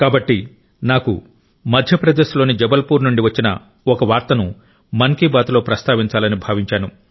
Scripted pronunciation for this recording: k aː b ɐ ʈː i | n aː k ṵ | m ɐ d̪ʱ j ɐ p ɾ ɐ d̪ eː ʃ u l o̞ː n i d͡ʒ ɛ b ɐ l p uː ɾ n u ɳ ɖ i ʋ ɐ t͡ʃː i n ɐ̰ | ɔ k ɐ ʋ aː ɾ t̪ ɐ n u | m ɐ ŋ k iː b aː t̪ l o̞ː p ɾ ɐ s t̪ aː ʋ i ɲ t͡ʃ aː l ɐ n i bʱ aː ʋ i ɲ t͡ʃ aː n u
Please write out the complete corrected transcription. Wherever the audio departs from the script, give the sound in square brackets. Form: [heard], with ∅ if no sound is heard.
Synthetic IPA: k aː b ɐ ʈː i | n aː k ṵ | m ɐ d̪ʱ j ɐ p ɾ ɐ d̪ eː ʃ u l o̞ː n i d͡ʒ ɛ b ɐ l p uː ɾ n u ɳ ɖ i ʋ ɐ t͡ʃː i n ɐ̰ | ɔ k ɐ ʋ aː ɾ t̪ ɐ n u | m ɐ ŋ k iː b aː t̪ l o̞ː p ɾ ɐ s t̪ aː ʋ i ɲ t͡ʃ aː l ɐ n i bʱ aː ʋ i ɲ t͡ʃ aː n u

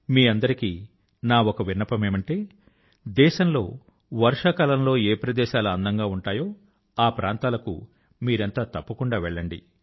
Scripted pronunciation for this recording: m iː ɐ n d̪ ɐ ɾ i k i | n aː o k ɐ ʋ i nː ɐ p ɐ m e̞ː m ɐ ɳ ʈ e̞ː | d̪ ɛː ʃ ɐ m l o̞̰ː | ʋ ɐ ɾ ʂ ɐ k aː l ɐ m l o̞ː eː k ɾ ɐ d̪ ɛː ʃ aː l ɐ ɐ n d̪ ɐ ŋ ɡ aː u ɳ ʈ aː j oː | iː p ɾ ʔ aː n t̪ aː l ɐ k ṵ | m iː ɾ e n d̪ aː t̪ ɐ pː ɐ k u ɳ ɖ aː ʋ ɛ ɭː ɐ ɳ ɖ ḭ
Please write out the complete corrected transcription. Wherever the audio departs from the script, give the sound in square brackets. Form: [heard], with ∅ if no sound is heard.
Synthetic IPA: m iː ɐ n d̪ ɐ ɾ i k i | n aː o k ɐ ʋ i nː ɐ p ɐ m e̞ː m ɐ ɳ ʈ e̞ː | d̪ ɛː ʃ ɐ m l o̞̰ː | ʋ ɐ ɾ ʂ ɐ k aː l ɐ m l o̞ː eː [p] ɾ ɐ d̪ ɛː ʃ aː l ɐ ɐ n d̪ ɐ ŋ ɡ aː u ɳ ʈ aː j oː | [aː] p ɾ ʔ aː n t̪ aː l ɐ k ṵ | m iː ɾ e n [t̪] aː t̪ ɐ pː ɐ k u ɳ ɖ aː ʋ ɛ ɭː ɐ ɳ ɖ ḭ

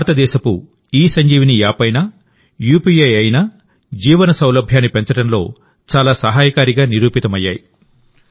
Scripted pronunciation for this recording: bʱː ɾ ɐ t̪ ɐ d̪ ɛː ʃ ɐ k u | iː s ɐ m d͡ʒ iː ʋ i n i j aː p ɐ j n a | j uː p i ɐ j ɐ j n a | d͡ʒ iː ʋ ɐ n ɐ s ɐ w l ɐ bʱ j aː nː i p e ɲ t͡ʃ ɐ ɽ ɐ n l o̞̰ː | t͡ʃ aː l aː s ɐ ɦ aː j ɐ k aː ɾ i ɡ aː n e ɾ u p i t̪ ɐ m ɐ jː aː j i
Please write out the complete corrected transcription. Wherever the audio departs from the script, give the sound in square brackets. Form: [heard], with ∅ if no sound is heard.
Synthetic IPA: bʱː ɾ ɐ t̪ ɐ d̪ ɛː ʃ ɐ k u | iː s ɐ [ɲ] d͡ʒ iː ʋ i n i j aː p ɐ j n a | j uː p i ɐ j ɐ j n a | d͡ʒ iː ʋ ɐ n ɐ s ɐ w l ɐ bʱ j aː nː i p e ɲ t͡ʃ ɐ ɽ ɐ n l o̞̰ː | t͡ʃ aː l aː s ɐ ɦ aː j ɐ k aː ɾ i ɡ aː n [i] ɾ [uː] p i t̪ ɐ m ɐ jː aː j i

